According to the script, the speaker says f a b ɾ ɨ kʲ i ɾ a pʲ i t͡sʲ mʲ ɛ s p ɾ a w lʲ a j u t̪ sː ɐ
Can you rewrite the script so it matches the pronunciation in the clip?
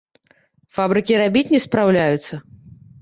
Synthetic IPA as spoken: f a b ɾ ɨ kʲ i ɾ a bʲ i t͡sʲ nʲ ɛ s p ɾ a w lʲ a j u t̪ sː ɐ